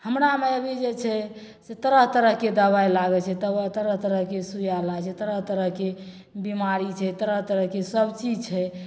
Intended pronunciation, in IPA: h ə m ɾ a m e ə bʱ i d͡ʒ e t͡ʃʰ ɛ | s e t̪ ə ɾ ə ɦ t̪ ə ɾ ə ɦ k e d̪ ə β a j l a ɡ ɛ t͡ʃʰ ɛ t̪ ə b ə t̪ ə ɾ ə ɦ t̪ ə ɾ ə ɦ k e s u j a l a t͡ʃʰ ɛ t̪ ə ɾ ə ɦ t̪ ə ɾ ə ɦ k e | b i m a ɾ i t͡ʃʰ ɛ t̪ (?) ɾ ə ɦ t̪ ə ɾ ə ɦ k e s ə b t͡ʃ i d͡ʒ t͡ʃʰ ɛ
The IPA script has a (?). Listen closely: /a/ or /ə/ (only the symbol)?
ə